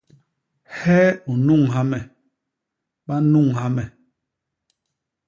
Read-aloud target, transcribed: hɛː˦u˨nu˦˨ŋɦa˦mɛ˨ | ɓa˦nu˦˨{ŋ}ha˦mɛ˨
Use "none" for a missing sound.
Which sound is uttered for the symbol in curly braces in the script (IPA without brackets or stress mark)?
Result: ŋ